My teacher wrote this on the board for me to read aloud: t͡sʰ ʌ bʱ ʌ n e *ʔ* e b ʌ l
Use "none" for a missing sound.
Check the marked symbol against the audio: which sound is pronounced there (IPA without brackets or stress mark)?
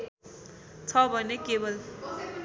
k